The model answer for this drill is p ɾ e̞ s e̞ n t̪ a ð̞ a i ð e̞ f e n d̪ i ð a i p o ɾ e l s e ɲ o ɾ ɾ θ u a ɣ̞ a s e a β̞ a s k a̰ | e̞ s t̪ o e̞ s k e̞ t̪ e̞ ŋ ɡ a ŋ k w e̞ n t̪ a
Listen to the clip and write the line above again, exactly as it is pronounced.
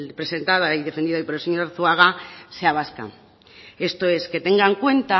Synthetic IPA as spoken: p ɾ e̞ s e̞ n t̪ a ð̞ a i ð e̞ f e n d̪ i ð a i p o ɾ e l s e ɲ o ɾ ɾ θ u a ɣ̞ a s e a β̞ a s k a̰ | e̞ s t̪ o e̞ s k e̞ t̪ e̞ ŋ ɡ a ŋ k w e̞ n t̪ a